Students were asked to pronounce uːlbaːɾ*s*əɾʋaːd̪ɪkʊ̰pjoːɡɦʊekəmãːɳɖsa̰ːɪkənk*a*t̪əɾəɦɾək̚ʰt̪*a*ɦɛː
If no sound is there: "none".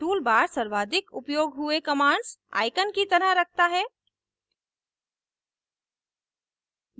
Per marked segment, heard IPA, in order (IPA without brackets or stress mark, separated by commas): s, i, a